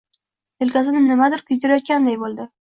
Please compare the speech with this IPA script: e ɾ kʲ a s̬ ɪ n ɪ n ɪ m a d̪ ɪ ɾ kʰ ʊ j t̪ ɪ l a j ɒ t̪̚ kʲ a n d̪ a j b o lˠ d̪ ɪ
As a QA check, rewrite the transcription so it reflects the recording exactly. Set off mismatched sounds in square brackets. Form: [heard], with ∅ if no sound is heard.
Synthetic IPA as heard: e [l] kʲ a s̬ ɪ n ɪ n ɪ m a d̪ ɪ ɾ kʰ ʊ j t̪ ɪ [ɾ] a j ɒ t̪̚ kʲ a n d̪ a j b o lˠ d̪ ɪ